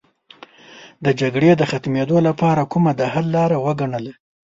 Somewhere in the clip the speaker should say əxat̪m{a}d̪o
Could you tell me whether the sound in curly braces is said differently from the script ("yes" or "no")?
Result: yes